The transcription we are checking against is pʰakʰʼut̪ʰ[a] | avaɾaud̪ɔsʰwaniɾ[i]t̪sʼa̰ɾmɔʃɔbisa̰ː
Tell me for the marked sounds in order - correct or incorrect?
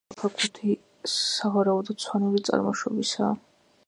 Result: incorrect: i, correct

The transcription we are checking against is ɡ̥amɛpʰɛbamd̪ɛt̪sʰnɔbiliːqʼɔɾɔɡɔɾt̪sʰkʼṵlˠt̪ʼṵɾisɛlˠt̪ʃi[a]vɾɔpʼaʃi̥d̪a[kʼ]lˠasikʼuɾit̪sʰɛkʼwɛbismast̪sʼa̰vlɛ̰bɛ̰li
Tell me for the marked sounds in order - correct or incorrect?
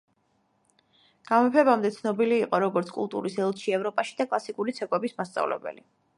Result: incorrect: ɛ, correct

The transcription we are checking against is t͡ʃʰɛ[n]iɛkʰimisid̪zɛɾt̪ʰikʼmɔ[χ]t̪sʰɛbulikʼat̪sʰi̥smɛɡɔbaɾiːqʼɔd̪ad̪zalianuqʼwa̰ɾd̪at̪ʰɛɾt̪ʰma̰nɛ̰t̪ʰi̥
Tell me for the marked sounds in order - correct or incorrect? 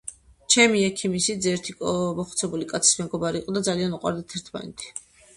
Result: incorrect: m, correct

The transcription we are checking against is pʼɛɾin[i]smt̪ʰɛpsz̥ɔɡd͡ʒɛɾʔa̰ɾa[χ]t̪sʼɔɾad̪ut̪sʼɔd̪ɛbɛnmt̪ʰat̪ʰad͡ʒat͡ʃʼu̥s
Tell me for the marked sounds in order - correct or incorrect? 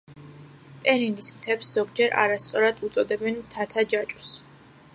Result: correct, incorrect: s

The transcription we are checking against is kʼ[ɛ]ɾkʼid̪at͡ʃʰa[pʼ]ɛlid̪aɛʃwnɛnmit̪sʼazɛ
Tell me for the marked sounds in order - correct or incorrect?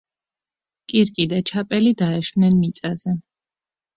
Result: incorrect: i, correct

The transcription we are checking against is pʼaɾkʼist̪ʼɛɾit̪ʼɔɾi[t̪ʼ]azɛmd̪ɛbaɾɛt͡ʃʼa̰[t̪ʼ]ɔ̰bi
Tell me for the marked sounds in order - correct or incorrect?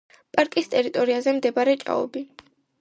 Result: incorrect: none, incorrect: none

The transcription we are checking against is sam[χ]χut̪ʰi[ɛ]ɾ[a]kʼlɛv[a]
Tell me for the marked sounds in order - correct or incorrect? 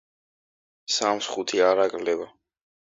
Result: incorrect: s, incorrect: a, correct, correct

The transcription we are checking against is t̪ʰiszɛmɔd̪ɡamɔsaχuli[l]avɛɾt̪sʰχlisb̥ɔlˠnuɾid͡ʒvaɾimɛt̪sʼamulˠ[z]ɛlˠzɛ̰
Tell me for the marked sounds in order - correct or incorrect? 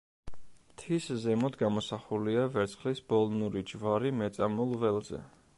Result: incorrect: none, incorrect: v

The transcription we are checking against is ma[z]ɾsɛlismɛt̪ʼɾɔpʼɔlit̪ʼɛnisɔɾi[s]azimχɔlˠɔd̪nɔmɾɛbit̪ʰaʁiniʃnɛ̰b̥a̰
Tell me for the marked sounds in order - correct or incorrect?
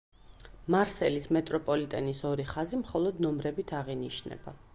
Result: incorrect: none, incorrect: χ

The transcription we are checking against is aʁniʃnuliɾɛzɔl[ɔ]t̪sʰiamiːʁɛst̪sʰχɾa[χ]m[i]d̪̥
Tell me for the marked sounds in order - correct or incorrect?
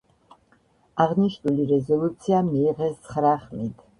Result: incorrect: u, correct, correct

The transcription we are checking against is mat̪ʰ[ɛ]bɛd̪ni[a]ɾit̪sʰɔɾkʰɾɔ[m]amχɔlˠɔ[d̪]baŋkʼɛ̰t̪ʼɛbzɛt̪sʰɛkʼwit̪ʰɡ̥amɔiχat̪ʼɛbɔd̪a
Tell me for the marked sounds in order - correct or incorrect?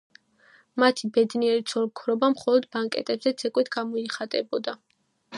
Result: incorrect: i, incorrect: ɛ, incorrect: b, correct

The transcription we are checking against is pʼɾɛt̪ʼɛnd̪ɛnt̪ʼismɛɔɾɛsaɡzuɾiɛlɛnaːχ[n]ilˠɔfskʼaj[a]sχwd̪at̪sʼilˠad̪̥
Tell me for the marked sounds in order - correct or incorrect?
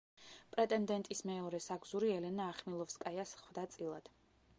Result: incorrect: m, correct

